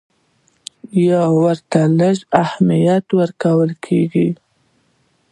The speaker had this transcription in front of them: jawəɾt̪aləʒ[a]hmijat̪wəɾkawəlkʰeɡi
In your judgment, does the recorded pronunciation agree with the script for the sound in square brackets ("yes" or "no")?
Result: yes